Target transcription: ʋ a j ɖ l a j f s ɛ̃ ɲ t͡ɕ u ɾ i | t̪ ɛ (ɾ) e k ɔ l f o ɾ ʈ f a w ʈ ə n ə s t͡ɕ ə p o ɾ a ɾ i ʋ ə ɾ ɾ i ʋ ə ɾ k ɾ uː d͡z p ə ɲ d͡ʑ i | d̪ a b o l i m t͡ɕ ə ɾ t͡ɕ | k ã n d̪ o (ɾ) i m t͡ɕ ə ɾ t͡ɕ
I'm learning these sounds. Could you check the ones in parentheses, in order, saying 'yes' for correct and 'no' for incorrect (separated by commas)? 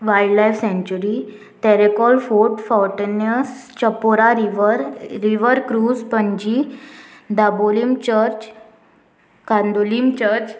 yes, no